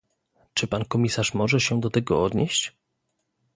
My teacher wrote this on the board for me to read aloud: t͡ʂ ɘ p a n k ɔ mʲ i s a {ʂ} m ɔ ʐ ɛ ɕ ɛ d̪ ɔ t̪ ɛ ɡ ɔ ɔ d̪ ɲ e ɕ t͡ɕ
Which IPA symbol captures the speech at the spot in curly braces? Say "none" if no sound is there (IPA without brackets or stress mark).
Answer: ʂ